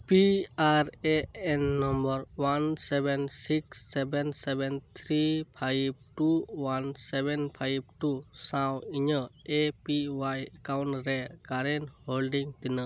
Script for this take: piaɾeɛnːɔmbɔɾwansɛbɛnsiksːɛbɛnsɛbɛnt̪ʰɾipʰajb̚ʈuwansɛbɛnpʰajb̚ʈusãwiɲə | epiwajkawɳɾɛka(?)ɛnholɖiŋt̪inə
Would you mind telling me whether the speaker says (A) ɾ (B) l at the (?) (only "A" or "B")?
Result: A